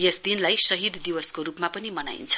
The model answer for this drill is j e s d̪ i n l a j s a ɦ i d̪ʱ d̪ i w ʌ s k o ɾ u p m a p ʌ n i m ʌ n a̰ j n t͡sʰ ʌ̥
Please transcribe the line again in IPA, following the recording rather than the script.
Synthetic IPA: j e s d̪ i n l a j s ʌ ɦ i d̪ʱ d̪ i w ʌ s k o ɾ u p m a p ʌ n i m ʌ n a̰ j n t͡sʰ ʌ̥